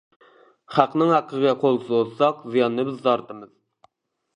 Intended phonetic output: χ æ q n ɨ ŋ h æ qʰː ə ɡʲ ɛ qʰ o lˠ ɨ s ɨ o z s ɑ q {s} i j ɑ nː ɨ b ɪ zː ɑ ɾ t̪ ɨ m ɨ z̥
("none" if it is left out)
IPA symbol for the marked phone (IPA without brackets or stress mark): z